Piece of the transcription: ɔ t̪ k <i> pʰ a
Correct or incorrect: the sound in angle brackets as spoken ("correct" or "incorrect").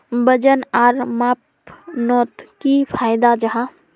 correct